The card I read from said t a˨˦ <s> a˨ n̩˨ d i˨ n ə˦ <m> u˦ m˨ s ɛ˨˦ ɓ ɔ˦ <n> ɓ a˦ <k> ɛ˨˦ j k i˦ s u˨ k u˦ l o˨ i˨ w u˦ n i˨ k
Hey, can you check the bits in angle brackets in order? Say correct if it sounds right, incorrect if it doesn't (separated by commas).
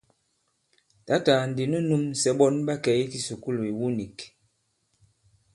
incorrect, incorrect, correct, correct